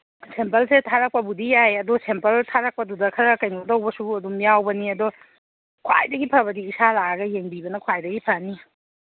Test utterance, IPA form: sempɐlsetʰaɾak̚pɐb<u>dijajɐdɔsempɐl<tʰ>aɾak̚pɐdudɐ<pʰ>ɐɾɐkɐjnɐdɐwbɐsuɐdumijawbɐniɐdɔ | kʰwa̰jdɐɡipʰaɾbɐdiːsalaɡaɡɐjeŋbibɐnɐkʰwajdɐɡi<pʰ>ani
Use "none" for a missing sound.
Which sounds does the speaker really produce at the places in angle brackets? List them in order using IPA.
u, tʰ, kʰ, pʰ

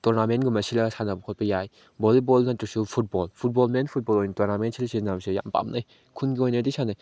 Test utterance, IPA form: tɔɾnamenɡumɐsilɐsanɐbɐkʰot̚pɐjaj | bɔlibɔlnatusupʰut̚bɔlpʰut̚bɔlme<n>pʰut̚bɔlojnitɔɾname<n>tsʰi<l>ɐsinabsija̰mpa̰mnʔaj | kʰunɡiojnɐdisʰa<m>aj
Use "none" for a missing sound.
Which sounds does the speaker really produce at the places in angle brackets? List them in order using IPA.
n, n, l, n

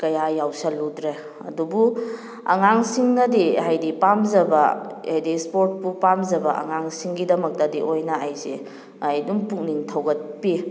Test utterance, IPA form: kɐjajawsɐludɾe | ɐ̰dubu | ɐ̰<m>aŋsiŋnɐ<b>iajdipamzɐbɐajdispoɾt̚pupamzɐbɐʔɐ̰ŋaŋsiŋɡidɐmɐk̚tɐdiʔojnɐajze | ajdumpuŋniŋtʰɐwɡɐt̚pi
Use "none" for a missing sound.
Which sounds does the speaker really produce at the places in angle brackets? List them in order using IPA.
ŋ, d

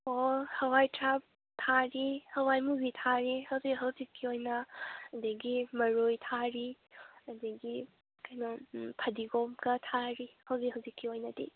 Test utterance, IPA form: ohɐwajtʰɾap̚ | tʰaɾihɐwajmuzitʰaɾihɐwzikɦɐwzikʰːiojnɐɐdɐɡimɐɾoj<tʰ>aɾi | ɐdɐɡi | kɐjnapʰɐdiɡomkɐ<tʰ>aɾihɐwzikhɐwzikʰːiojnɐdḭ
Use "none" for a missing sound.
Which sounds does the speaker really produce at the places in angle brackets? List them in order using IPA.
tʰ, tʰ

